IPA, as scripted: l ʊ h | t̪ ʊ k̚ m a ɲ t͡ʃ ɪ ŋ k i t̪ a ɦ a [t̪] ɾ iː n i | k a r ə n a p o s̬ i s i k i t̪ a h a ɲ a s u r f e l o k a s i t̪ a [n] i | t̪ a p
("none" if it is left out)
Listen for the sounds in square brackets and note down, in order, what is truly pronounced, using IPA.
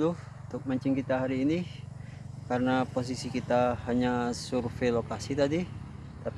none, d

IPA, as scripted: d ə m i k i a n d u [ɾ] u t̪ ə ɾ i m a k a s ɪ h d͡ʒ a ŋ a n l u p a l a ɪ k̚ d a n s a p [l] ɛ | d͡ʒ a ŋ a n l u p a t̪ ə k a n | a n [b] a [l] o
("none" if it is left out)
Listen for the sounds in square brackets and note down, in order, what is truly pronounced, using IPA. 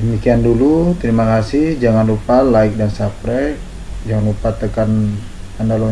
l, ɾ, d, l

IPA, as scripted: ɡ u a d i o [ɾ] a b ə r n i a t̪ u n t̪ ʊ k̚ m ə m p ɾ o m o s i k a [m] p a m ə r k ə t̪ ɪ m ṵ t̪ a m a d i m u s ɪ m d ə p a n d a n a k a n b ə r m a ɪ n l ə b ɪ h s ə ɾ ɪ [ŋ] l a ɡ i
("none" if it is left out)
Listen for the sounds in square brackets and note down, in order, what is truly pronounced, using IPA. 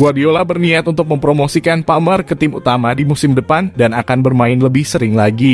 l, n, ŋ

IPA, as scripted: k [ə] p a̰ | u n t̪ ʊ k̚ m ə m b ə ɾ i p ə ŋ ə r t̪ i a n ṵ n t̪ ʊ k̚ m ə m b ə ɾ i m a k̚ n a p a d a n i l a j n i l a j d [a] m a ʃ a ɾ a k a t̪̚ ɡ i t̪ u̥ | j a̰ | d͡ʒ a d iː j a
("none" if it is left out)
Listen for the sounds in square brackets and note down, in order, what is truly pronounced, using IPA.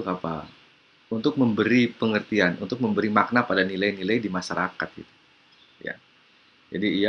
a, i

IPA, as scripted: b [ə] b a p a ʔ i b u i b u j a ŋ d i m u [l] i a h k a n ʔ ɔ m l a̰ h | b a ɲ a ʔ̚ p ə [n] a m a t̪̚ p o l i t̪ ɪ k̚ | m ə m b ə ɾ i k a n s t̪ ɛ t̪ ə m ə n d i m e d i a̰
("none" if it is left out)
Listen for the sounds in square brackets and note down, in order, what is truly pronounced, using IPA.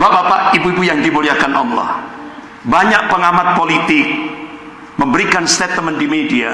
a, l, ŋ

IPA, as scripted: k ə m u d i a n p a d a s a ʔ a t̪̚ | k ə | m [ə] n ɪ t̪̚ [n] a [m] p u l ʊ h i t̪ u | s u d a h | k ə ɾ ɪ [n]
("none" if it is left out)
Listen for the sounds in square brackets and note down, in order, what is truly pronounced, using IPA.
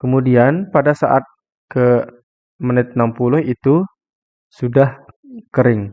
ə, n, m, ŋ

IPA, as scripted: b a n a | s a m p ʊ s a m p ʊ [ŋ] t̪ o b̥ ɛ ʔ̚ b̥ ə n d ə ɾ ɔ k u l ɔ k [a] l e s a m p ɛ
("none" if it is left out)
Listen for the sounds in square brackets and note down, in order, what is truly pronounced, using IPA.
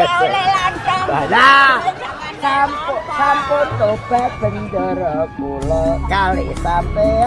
n, a

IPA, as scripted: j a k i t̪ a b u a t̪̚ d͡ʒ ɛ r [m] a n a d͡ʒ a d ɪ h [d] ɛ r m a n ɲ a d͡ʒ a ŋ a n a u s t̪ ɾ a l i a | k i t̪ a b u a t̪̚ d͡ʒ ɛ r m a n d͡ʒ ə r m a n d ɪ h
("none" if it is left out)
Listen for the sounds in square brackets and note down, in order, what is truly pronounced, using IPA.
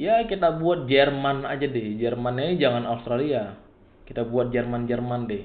m, d͡ʒ

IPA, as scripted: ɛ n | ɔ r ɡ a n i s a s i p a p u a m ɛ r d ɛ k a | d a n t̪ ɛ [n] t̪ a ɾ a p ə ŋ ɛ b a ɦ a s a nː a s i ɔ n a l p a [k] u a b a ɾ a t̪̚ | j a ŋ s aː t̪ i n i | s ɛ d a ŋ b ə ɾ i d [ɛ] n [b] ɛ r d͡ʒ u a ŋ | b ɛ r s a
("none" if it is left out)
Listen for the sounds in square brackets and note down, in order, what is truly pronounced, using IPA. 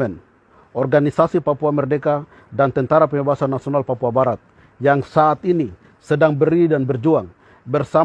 n, p, a, b

